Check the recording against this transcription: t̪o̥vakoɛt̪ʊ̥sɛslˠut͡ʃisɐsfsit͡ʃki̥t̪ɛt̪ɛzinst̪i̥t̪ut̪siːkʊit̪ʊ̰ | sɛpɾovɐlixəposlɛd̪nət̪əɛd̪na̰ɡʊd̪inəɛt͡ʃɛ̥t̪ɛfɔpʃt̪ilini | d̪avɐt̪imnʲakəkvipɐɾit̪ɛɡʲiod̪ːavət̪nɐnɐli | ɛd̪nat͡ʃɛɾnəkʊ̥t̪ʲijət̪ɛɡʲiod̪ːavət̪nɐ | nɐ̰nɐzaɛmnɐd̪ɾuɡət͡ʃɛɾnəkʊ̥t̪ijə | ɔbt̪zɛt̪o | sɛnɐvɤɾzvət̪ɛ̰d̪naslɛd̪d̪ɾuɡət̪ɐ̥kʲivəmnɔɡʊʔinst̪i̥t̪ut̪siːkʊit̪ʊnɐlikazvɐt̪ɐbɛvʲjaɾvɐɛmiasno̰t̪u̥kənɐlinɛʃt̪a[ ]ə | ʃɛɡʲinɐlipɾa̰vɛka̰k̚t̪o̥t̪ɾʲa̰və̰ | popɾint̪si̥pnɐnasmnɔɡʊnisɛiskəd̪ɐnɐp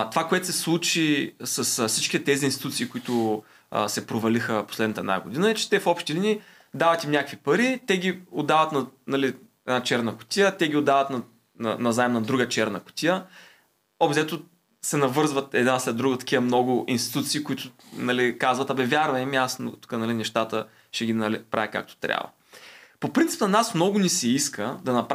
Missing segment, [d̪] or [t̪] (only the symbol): t̪